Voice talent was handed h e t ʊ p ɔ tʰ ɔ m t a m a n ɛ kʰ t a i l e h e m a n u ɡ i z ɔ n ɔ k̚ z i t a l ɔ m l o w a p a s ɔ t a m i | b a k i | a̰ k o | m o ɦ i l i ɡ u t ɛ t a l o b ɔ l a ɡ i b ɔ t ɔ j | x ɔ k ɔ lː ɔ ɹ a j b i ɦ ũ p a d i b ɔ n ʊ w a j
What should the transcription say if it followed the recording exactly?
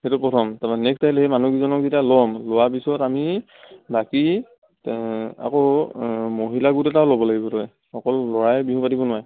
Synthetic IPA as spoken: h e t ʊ p ɔ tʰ ɔ m t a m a n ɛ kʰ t a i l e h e m a n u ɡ i z ɔ n ɔ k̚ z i t a l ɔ m l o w a p i s ɔ t a m i | b a k i | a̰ k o | m o ɦ i l a ɡ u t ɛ t a l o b ɔ l a ɡ i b ɔ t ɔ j | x ɔ k ɔ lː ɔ ɹ a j b i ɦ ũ p a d i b ɔ n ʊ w a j